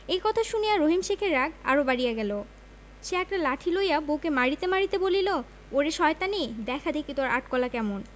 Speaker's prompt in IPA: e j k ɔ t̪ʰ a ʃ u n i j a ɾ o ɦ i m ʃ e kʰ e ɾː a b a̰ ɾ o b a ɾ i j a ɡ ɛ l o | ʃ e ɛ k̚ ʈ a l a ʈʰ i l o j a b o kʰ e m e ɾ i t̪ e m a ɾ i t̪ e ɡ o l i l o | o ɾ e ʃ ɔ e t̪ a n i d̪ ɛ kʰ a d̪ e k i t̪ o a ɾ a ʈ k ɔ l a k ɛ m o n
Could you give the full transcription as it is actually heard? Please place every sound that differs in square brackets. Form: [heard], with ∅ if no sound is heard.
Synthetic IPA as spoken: e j k ɔ t̪ʰ a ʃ u n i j a ɾ o ɦ i m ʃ e kʰ e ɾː a [ɡ] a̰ ɾ o b a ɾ i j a ɡ ɛ l o | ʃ e ɛ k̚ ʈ a l a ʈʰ i l o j a b o [k] e m [a] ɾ i t̪ e m a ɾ i t̪ e [b] o l i l o | o ɾ e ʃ ɔ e t̪ a n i d̪ ɛ kʰ a d̪ e k i t̪ o a ɾ a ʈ k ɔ l a k ɛ m o n